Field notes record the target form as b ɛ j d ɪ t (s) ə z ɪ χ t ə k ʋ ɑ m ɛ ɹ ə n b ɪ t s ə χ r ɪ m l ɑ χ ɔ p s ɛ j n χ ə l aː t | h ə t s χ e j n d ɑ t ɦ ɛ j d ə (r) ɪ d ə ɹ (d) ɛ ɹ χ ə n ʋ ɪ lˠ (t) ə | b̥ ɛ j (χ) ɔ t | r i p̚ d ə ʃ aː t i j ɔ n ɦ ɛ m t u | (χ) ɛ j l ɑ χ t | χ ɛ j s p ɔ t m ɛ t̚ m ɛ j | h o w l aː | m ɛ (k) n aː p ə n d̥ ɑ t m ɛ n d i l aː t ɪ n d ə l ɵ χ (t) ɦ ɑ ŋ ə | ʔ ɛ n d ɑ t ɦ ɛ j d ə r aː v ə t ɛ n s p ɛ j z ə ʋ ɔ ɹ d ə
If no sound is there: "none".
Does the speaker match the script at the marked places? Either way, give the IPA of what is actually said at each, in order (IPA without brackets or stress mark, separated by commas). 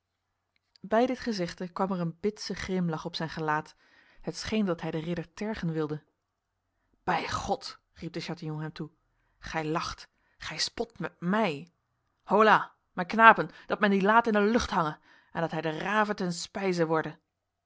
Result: χ, r, t, d, χ, χ, k, t